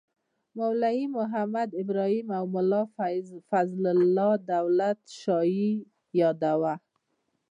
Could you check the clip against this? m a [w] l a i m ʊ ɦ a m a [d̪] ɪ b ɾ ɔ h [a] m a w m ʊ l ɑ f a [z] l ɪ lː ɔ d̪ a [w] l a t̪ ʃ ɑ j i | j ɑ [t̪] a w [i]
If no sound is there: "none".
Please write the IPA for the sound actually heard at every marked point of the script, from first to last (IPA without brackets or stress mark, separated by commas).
w, d̪, i, z, w, d̪, a